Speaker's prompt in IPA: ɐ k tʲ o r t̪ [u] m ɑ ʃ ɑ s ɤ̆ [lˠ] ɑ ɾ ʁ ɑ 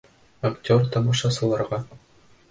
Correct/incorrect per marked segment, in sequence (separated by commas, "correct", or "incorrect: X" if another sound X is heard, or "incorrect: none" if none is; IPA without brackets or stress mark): incorrect: ɒ, correct